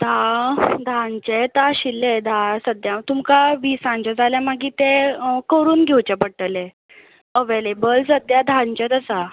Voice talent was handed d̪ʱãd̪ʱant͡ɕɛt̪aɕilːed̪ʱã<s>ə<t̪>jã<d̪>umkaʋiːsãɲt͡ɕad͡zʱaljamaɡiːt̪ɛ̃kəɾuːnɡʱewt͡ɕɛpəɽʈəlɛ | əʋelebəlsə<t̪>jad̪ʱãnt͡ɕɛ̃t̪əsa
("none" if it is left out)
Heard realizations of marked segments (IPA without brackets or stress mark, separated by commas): s, d̪, t̪, d̪